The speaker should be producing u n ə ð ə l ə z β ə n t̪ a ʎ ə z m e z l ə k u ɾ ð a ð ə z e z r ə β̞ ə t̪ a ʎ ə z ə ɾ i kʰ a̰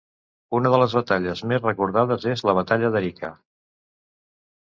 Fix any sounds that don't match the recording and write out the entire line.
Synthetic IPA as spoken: u n ə ð ə l ə z β ə t̪ a ʎ ə z m e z r ə k u ɾ ð a ð ə z e z l ə β̞ ə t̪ a ʎ ə ð ə ɾ i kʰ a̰